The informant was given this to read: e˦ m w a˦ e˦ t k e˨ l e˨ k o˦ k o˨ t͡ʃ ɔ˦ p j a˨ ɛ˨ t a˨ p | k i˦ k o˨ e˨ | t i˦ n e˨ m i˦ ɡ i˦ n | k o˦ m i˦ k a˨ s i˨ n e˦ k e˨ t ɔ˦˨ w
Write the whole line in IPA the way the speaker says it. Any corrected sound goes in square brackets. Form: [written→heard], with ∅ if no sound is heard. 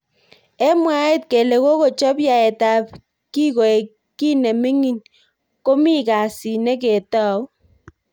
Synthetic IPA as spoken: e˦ m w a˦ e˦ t k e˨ l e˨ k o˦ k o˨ t͡ʃ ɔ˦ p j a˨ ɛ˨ t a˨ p | k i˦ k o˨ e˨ | [t→k] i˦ n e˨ m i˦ [ɡ→ŋ] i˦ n | k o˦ m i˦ k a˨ s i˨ n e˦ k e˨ t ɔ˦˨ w